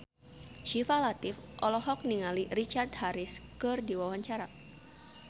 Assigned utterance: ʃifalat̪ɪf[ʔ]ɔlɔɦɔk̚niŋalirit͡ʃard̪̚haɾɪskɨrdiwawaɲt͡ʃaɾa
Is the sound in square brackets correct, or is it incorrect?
correct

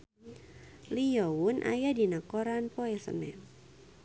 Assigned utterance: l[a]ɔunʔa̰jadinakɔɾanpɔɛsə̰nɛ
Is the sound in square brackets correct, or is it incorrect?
incorrect: i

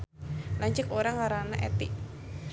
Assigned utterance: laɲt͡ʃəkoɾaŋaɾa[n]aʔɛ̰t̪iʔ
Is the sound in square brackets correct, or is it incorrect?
correct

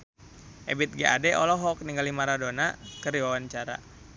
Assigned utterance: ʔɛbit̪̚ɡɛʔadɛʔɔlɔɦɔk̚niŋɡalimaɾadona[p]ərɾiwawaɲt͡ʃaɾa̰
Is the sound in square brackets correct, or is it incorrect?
incorrect: k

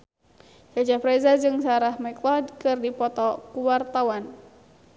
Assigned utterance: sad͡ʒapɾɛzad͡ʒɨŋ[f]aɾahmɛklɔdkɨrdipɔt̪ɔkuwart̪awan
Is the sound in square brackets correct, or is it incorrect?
incorrect: s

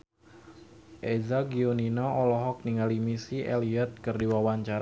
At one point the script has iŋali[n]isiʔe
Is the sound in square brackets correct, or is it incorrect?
incorrect: m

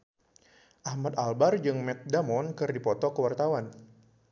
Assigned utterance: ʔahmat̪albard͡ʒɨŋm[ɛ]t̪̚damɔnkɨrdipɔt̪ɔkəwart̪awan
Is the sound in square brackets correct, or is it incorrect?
correct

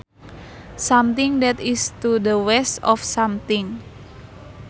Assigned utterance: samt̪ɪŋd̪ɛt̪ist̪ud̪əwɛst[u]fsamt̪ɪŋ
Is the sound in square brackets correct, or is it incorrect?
incorrect: ɔ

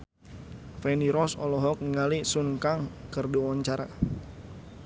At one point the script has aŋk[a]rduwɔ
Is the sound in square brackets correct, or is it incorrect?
incorrect: ə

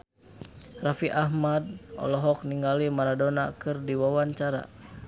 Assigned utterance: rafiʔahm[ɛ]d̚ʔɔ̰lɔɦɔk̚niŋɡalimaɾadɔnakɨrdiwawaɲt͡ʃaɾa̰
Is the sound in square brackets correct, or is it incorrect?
incorrect: a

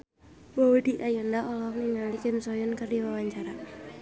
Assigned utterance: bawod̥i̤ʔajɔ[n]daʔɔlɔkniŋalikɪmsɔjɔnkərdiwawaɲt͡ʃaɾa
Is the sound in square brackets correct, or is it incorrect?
correct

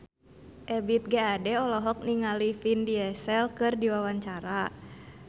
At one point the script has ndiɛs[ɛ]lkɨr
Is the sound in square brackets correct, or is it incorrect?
correct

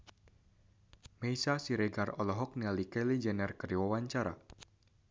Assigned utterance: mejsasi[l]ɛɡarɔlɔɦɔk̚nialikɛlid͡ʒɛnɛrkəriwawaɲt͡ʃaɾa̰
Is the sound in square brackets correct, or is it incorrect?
incorrect: ɾ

